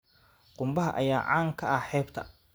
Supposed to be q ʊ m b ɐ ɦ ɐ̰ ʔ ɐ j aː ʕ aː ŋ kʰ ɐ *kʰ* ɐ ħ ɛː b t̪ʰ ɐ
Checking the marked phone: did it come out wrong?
yes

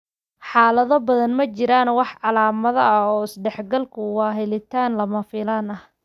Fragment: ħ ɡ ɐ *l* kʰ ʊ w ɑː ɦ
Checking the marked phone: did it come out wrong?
no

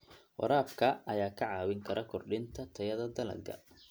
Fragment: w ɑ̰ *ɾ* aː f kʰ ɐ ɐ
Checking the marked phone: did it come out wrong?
no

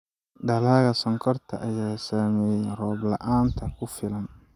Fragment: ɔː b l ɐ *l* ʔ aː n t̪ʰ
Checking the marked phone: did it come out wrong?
yes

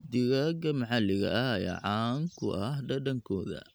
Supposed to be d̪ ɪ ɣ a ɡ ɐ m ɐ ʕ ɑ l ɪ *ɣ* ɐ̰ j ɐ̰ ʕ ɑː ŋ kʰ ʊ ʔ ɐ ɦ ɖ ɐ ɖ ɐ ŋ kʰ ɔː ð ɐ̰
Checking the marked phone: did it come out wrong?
no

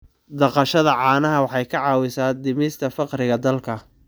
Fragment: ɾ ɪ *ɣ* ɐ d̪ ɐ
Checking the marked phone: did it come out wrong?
no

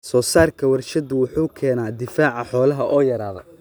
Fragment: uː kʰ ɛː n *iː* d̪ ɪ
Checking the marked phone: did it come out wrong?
yes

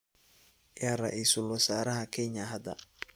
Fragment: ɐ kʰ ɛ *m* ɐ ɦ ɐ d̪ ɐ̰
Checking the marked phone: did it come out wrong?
yes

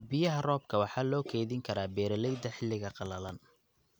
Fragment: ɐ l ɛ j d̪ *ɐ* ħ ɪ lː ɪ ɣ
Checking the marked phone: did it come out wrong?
no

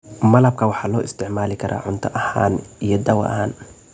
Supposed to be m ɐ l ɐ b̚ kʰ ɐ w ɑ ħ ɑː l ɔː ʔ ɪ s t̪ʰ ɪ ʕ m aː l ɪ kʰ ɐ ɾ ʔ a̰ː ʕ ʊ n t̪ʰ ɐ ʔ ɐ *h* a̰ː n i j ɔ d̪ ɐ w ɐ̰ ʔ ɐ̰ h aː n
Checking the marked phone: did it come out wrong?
no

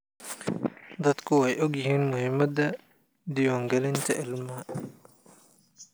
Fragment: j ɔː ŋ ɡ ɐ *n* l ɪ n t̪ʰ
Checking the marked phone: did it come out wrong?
yes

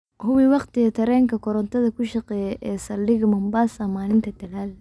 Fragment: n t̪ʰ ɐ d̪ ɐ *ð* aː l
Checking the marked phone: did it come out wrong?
yes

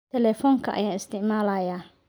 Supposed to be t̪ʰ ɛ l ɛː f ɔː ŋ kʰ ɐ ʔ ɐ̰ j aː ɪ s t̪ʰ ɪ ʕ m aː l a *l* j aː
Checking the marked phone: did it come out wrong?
yes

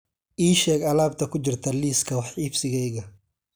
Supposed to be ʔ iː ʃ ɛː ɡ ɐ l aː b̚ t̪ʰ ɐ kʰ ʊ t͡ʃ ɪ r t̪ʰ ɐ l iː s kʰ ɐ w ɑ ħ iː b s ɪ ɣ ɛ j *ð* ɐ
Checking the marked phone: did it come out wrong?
yes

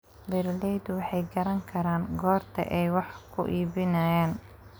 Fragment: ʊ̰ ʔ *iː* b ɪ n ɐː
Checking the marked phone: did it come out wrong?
no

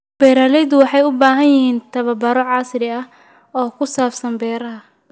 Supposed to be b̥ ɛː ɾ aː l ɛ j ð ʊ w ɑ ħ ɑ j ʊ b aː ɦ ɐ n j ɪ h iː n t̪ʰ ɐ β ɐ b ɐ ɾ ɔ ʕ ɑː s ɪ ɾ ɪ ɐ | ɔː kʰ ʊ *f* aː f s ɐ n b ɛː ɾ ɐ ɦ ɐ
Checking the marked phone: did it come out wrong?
yes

